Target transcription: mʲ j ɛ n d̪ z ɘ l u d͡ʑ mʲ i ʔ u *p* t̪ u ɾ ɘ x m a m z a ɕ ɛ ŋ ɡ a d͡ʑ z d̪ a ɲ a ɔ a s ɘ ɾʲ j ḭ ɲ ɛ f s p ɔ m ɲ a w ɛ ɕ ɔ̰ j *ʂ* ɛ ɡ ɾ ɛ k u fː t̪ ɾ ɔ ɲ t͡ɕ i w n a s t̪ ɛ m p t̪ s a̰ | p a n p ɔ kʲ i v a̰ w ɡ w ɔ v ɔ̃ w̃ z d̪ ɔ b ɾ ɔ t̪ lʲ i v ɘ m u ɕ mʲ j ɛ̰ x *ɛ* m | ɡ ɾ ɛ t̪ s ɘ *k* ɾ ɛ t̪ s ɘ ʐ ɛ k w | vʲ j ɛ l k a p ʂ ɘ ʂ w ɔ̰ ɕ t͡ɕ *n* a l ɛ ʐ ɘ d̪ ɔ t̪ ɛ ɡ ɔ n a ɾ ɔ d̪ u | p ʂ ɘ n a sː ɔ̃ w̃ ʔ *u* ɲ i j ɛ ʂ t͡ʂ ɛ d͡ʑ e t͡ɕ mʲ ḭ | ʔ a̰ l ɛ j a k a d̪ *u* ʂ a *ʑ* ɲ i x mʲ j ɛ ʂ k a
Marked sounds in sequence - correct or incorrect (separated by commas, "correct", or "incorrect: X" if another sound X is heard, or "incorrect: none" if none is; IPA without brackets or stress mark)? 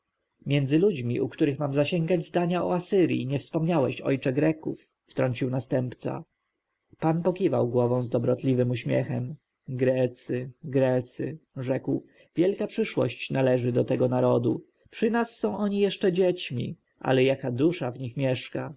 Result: incorrect: k, incorrect: t͡ʂ, correct, incorrect: ɡ, correct, incorrect: ɔ, correct, incorrect: v